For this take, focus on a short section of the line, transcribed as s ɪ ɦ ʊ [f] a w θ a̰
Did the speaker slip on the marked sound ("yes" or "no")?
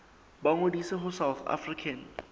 yes